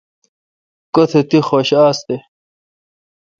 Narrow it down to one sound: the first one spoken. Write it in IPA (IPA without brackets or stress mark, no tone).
k